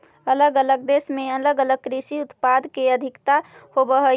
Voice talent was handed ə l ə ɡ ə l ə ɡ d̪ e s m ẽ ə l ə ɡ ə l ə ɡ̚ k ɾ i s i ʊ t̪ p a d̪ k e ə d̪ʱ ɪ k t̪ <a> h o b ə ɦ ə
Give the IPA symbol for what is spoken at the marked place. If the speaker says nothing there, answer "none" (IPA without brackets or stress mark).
a